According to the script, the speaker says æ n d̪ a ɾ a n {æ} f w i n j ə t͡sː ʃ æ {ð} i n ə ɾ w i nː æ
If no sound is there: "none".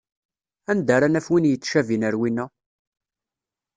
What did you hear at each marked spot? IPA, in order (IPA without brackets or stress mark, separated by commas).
æ, v